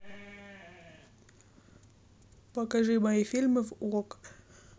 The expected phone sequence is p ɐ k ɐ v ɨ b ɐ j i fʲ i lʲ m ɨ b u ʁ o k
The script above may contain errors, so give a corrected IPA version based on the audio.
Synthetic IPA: p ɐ k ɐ ʐ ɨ m ɐ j i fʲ i lʲ m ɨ v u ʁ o k